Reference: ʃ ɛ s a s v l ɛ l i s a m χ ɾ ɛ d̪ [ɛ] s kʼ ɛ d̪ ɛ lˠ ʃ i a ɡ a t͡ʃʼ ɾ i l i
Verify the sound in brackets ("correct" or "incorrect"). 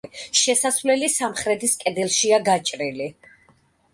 incorrect